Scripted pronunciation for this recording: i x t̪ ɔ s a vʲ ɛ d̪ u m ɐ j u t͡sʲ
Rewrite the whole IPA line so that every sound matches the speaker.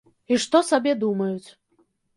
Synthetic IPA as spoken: i ʂ t̪ ɔ s a bʲ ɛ d̪ u m ɐ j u t͡sʲ